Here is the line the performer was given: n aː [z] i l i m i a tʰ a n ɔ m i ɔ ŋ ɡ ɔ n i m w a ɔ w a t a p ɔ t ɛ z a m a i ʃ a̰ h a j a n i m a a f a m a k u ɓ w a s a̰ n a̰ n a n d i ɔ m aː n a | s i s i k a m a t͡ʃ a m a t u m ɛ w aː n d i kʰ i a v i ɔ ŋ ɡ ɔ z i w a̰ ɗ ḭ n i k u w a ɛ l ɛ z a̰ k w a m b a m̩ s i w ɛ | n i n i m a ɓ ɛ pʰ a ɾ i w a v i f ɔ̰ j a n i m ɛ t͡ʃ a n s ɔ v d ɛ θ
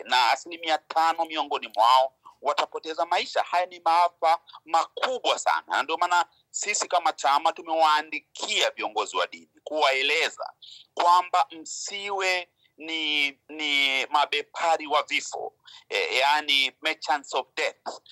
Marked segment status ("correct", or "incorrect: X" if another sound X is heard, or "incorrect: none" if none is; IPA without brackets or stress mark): incorrect: s